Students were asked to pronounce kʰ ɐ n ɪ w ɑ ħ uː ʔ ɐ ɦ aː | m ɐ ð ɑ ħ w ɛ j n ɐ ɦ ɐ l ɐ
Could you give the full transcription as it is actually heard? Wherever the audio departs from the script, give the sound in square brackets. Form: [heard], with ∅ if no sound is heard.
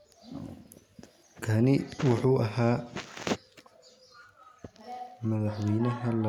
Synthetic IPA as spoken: kʰ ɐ n ɪ w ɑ ħ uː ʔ ɐ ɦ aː | m ɐ ð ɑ ħ w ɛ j n ɐ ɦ ɐ l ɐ